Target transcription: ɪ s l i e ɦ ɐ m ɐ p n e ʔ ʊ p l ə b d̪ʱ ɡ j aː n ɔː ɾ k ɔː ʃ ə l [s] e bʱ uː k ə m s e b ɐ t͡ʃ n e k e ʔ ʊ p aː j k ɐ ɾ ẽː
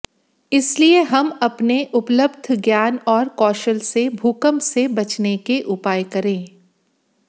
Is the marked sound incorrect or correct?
correct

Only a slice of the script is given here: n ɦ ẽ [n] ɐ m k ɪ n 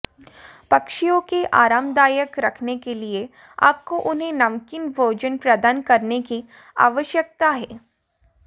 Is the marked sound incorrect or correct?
correct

